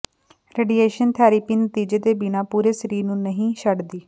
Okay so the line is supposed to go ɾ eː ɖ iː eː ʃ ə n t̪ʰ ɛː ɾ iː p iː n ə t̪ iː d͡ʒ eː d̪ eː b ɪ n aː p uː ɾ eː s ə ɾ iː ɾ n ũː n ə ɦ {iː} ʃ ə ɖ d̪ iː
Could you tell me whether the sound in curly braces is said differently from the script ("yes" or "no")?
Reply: yes